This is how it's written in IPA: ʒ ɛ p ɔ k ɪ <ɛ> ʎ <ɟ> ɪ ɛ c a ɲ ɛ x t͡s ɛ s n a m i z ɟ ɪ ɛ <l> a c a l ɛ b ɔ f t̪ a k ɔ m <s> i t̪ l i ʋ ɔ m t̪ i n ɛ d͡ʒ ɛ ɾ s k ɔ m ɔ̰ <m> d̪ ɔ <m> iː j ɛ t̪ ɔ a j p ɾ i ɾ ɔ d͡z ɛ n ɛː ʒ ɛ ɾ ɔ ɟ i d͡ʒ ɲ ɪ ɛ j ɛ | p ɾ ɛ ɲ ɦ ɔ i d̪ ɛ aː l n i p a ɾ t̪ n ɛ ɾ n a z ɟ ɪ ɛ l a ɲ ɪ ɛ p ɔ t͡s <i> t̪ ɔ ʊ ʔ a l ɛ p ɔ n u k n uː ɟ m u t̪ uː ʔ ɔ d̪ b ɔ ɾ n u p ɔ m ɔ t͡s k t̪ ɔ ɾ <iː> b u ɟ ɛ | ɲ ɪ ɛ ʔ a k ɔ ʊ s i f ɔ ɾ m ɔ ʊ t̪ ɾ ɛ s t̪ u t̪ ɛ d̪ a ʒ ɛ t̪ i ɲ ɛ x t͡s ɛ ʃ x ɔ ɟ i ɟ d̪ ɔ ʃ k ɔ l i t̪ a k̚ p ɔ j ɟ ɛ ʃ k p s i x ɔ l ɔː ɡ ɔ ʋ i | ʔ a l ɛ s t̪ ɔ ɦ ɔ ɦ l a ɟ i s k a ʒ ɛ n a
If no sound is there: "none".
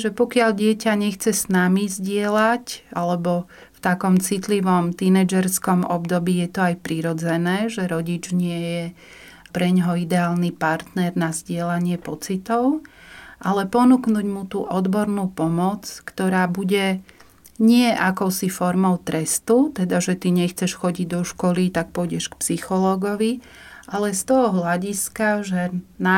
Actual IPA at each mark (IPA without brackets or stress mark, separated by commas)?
a, ɟ, l, t͡s, b, b, i, aː